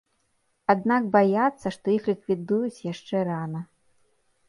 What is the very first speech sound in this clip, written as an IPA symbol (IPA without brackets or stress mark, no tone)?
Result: a